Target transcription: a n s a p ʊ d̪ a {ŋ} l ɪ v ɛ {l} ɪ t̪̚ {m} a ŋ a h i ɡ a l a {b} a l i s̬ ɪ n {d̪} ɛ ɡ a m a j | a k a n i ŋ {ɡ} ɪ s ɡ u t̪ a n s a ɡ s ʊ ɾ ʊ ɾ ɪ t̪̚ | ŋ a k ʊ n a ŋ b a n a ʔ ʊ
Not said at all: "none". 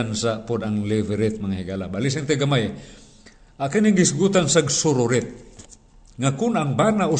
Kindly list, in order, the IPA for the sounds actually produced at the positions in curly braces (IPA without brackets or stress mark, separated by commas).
ŋ, ɾ, m, b, t̪, ɡ